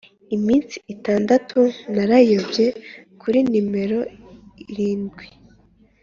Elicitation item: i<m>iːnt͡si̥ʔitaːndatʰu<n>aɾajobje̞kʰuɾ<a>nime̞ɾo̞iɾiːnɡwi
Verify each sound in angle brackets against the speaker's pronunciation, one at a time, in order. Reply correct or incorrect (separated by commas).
correct, correct, incorrect